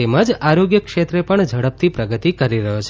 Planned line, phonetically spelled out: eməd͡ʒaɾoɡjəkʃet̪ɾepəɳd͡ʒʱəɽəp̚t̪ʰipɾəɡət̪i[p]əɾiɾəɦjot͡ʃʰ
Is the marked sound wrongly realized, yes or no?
yes